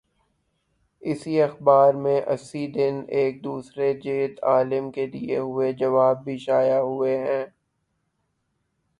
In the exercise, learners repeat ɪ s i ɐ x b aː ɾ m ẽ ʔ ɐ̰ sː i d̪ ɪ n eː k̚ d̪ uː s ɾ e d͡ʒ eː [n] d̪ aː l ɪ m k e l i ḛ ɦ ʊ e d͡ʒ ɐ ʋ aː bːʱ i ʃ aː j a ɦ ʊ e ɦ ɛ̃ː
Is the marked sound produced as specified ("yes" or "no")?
no